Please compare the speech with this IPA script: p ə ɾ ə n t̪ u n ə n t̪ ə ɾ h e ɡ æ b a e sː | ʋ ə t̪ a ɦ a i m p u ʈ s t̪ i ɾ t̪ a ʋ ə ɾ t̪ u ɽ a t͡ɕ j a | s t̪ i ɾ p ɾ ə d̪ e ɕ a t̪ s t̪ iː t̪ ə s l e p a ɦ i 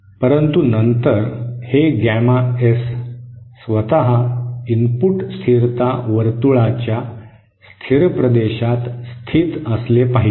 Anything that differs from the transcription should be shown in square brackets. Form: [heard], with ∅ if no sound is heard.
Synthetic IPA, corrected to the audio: p ə ɾ ə n t̪ u n ə n t̪ ə ɾ h e ɡ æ [m] a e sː | ʋ ə t̪ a ɦ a i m p u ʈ s [t̪ʰ] i ɾ t̪ a ʋ ə ɾ t̪ u [ɭ] a t͡ɕ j a | s [t̪ʰ] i ɾ p ɾ ə d̪ e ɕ a t̪ s [t̪ʰ] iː t̪ ə s l e p a ɦ i